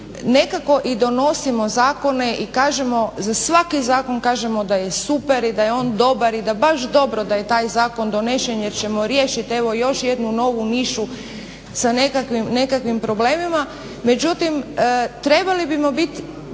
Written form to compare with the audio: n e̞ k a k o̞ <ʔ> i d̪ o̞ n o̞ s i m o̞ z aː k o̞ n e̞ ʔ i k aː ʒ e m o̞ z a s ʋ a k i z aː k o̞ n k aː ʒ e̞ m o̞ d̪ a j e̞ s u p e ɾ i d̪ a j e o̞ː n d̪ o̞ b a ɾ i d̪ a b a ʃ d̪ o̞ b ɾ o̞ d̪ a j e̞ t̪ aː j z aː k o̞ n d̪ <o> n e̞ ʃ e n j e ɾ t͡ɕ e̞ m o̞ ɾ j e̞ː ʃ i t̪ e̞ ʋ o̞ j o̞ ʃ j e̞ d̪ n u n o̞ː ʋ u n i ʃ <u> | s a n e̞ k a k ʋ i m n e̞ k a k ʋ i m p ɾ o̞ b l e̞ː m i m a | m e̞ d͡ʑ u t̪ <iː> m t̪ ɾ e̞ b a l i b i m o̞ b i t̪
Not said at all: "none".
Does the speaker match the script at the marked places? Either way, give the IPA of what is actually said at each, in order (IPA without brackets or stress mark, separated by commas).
ʔ, o, u, i